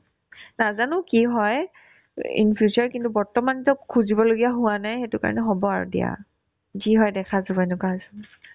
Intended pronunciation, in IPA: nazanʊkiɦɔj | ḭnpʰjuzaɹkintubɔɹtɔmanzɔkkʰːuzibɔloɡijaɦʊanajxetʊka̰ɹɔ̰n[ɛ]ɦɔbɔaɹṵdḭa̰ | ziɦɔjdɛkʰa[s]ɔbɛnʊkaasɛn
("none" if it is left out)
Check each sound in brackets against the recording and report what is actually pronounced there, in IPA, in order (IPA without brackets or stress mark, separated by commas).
ɛ, z